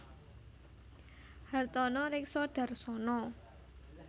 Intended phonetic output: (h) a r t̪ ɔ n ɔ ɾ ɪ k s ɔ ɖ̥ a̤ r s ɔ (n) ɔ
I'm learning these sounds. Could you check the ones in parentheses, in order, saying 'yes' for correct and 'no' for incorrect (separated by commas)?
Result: yes, yes